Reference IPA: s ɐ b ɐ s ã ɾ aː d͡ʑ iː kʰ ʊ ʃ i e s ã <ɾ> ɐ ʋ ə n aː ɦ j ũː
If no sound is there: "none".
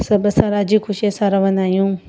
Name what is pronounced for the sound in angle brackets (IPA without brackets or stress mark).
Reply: ɾ